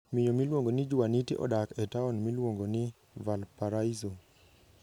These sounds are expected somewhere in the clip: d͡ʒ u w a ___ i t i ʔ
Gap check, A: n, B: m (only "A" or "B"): A